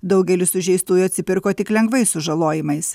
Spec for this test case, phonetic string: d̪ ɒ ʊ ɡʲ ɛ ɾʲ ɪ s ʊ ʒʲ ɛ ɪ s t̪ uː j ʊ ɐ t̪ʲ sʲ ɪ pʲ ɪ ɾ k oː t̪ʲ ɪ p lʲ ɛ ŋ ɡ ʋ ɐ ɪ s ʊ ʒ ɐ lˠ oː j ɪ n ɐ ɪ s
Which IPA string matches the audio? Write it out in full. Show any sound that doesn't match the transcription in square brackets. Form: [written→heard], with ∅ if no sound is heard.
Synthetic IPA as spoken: d̪ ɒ ʊ ɡʲ ɛ [ɾʲ→lʲ] ɪ s ʊ ʒʲ ɛ ɪ s t̪ uː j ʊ ɐ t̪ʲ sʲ ɪ pʲ ɪ ɾ k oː t̪ʲ ɪ [p→k] lʲ ɛ ŋ ɡ ʋ ɐ ɪ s ʊ ʒ ɐ lˠ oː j ɪ [n→m] ɐ ɪ s